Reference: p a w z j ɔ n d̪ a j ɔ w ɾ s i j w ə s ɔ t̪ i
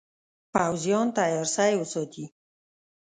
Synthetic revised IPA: p a w z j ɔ n t̪ a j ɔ ɾ s a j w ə s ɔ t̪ i